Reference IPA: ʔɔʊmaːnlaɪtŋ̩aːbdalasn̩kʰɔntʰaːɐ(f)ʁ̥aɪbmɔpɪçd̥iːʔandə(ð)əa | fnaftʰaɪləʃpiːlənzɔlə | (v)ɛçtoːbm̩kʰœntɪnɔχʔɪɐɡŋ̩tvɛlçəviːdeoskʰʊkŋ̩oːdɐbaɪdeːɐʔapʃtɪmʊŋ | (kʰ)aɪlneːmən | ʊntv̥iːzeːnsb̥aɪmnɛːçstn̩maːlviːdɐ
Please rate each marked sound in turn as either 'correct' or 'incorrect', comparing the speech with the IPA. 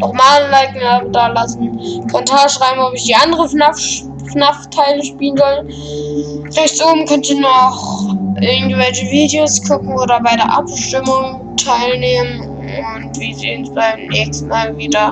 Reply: incorrect: ʃ, incorrect: ʁ, incorrect: ʁ, incorrect: tʰ

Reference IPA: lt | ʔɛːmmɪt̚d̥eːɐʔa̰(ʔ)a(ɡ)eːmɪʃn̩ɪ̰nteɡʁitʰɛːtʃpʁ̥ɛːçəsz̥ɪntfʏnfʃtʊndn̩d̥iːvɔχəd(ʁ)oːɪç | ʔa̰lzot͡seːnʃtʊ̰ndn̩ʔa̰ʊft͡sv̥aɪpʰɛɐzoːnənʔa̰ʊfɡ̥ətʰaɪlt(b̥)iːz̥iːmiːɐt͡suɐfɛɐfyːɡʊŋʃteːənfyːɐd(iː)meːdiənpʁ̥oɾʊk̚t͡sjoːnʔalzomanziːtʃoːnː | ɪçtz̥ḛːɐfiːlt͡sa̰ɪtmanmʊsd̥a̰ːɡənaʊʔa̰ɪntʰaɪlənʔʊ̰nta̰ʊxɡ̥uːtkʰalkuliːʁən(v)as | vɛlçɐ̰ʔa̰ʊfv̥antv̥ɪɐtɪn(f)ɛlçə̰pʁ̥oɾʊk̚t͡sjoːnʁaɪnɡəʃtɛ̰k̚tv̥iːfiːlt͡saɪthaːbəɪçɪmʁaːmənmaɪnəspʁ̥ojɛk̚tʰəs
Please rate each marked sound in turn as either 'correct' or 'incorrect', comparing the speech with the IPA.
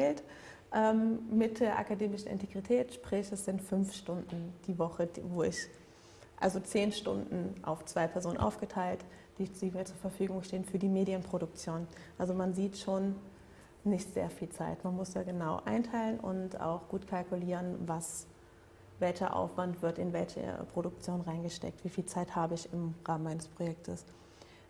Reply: incorrect: k, incorrect: d, incorrect: v, incorrect: d̥, correct, correct, incorrect: v

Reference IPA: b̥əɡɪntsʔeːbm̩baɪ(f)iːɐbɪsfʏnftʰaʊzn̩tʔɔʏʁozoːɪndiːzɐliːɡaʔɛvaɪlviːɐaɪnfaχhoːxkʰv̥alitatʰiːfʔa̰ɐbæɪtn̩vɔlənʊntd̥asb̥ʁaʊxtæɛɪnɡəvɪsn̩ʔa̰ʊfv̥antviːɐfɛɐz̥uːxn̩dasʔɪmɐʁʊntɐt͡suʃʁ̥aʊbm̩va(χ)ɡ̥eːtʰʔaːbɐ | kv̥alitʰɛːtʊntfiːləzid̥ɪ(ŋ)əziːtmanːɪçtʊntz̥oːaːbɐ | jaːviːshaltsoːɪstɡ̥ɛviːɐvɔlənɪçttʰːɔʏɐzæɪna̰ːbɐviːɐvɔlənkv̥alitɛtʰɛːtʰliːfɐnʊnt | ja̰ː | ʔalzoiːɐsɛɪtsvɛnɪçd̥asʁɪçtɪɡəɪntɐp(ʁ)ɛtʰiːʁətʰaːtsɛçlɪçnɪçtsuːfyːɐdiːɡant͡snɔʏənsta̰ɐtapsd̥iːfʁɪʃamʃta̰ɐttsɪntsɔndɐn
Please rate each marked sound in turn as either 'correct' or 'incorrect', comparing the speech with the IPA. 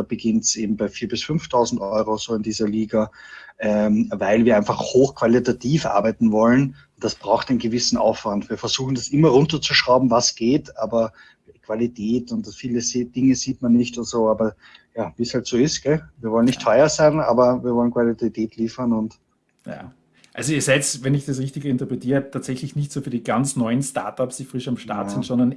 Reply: correct, incorrect: s, correct, correct

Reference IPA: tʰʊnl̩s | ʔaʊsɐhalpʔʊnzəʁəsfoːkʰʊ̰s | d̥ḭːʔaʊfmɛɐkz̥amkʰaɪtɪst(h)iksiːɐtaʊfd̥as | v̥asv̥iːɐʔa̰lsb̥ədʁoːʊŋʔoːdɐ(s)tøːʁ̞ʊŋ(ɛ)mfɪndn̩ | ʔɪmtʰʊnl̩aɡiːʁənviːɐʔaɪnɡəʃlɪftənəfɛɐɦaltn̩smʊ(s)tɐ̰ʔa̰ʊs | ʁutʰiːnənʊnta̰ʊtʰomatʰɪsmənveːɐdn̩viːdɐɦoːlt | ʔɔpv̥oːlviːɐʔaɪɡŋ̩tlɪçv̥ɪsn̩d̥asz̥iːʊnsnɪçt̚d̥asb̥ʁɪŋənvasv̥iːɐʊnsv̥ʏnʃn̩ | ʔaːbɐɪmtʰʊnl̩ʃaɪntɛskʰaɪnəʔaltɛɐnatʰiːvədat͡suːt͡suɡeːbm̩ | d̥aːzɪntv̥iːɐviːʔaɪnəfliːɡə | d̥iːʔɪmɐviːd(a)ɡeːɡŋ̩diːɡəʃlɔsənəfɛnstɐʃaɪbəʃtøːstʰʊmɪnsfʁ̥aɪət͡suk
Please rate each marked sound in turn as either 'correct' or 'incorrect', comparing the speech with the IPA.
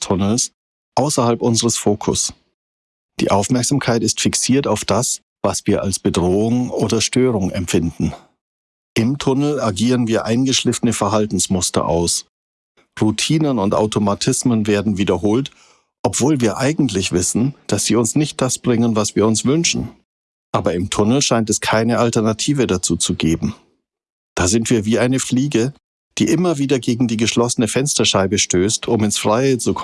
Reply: incorrect: f, incorrect: ʃ, correct, correct, incorrect: ɐ

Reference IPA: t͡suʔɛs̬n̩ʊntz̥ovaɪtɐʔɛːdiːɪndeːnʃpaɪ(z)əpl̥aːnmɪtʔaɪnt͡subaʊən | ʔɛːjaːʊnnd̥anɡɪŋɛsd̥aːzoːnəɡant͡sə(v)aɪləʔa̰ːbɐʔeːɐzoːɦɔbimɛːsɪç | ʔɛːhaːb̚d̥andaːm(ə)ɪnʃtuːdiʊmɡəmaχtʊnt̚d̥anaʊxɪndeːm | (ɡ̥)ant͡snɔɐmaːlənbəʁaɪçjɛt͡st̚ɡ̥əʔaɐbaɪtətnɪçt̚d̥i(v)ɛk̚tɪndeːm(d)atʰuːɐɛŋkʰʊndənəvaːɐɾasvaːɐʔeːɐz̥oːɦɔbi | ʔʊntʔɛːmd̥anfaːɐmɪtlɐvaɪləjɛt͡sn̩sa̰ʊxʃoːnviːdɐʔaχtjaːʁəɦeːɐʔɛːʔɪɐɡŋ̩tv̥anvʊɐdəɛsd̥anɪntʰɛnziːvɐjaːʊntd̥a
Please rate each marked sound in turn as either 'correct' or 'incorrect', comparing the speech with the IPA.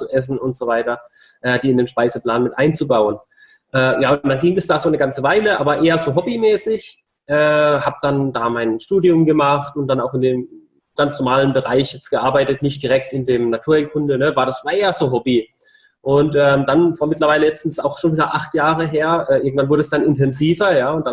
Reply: correct, correct, incorrect: a, correct, incorrect: ʁ, incorrect: n

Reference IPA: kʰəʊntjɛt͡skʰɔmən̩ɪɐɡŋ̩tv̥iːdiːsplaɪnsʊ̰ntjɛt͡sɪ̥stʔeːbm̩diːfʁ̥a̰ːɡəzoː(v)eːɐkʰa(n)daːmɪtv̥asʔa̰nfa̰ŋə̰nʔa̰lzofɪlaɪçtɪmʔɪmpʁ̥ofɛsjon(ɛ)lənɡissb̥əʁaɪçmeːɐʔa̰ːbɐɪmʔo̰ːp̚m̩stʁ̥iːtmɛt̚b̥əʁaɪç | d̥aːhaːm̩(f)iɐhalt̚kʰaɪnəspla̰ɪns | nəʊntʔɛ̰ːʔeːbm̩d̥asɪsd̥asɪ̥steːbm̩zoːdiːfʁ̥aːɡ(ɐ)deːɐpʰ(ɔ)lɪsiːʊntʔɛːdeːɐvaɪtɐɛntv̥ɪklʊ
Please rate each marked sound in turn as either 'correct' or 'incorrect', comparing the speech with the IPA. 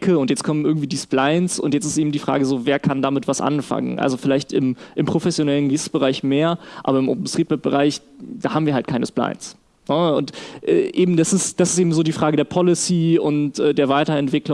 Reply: correct, correct, correct, incorrect: v, incorrect: ə, correct

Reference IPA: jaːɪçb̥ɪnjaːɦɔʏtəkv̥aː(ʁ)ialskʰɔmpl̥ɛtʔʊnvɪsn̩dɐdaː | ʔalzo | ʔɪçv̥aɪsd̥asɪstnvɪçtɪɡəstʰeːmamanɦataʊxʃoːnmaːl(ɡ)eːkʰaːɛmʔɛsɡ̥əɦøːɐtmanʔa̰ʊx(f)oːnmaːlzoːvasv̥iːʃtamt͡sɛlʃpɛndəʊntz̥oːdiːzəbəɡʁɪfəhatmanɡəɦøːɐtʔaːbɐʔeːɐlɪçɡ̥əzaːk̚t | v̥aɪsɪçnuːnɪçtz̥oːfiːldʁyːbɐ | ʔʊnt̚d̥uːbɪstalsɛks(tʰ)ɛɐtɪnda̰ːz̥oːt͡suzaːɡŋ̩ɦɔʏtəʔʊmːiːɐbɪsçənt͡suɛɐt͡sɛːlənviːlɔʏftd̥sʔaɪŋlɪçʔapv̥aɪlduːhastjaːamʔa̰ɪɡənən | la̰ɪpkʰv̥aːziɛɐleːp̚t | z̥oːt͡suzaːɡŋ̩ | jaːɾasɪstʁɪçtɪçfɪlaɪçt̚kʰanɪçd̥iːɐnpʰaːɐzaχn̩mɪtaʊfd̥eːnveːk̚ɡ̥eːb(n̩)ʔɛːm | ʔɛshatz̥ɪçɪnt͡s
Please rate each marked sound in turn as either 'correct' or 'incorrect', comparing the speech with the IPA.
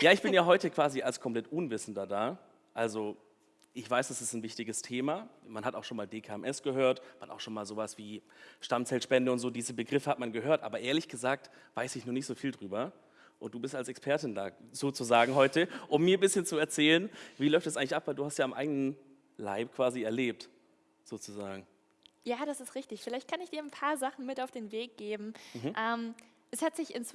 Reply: incorrect: z, incorrect: d, incorrect: ʃ, incorrect: pʰ, incorrect: m̩

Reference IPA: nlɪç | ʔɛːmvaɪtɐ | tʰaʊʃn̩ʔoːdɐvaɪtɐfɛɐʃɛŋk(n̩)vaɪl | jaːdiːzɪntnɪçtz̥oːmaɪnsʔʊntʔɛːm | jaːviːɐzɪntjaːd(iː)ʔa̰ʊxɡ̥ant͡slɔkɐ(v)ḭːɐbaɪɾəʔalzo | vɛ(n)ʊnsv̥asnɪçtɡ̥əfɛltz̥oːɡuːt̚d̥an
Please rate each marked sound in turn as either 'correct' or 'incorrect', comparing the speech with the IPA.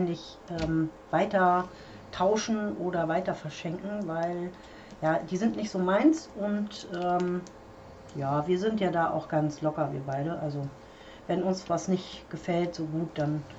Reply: incorrect: ŋ̩, incorrect: aː, correct, correct

